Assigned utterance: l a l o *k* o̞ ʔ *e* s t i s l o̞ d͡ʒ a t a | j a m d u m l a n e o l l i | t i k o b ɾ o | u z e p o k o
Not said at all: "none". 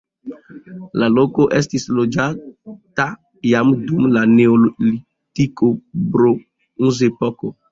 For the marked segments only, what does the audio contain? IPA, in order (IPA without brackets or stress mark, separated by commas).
k, e